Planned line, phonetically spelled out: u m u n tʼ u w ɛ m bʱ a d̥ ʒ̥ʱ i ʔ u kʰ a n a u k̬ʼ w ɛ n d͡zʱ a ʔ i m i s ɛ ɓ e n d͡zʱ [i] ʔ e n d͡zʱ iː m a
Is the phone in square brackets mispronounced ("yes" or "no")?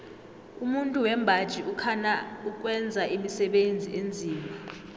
no